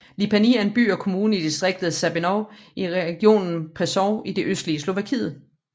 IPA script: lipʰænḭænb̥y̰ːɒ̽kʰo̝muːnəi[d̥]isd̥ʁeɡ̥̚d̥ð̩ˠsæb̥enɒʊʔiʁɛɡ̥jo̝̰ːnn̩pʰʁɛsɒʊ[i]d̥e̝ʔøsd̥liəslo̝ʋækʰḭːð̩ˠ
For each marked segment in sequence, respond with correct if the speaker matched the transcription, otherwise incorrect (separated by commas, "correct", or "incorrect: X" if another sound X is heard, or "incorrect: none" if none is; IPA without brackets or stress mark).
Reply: correct, correct